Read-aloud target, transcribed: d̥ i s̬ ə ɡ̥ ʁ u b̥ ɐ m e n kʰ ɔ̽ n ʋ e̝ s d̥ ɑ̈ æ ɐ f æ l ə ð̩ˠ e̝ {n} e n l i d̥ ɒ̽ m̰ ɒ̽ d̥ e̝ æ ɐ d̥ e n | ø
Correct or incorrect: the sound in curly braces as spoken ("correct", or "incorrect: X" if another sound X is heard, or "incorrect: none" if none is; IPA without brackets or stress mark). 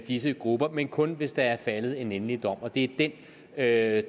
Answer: correct